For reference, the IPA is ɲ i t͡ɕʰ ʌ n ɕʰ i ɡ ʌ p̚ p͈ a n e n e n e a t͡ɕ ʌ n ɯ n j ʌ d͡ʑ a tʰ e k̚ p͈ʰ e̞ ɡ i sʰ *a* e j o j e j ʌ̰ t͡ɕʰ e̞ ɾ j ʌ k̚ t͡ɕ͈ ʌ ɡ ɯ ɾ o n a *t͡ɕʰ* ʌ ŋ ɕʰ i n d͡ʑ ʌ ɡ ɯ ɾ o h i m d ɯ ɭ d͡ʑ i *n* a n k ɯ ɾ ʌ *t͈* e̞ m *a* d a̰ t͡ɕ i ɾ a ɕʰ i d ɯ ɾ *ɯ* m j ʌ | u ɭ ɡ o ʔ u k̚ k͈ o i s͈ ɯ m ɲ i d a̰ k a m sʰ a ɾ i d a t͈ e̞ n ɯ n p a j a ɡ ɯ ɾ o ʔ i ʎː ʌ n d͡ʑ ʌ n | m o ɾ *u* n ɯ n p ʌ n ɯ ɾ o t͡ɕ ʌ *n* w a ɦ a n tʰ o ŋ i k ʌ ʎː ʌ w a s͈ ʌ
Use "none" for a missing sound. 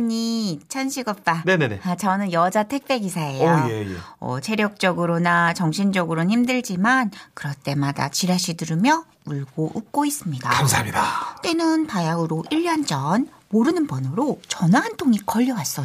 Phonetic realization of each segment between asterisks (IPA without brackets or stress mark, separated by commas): a, t͡ɕ, m, t͈, a, ɯ, ɯ, n